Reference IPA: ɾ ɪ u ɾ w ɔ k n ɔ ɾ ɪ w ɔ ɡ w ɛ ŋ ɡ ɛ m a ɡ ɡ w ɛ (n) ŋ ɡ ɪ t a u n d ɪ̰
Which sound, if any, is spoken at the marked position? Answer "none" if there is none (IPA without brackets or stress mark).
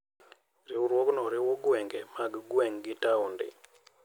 none